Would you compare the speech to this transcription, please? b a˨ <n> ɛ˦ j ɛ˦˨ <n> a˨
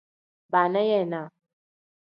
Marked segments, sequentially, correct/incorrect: correct, correct

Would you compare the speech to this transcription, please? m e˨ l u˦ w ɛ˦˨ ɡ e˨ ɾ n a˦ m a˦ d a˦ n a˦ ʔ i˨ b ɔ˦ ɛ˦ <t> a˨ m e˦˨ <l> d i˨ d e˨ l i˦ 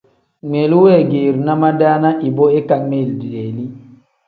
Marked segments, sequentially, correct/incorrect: incorrect, correct

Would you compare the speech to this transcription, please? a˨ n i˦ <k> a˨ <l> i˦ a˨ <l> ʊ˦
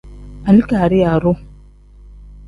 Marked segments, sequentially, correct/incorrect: correct, incorrect, incorrect

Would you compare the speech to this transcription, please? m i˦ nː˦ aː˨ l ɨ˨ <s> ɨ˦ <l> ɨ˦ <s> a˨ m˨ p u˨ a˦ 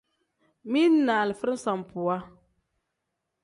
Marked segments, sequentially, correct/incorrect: incorrect, incorrect, correct

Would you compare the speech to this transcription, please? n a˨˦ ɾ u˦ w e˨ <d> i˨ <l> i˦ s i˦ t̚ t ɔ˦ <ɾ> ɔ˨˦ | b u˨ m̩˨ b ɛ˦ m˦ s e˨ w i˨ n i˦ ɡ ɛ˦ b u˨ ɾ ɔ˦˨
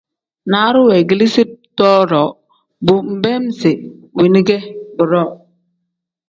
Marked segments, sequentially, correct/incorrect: incorrect, correct, correct

